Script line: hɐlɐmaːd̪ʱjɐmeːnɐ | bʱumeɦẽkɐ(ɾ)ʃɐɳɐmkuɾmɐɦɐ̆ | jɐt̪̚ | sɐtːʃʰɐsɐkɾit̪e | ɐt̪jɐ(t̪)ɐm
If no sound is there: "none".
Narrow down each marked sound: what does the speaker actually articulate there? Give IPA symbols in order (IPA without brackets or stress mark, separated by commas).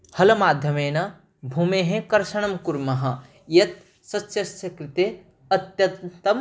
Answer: ɾ, t̪